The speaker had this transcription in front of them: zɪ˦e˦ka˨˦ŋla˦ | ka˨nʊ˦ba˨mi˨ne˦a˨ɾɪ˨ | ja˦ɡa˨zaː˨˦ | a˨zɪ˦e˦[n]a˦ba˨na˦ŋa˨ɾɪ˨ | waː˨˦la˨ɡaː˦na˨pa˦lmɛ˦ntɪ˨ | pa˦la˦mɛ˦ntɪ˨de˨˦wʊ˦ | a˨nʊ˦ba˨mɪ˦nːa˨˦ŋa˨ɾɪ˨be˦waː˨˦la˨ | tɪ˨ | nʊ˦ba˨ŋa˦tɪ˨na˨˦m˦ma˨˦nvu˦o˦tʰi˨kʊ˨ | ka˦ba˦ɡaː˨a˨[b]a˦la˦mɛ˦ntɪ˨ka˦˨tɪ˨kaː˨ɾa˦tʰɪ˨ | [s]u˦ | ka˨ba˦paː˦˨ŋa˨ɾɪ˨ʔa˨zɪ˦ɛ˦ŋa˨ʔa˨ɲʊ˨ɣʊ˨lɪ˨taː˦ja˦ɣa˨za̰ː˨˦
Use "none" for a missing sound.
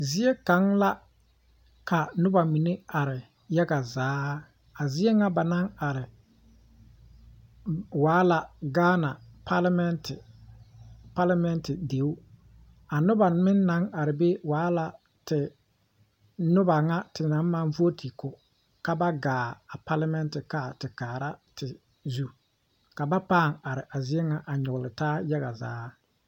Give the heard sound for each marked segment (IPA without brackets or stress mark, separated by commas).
ŋ, p, z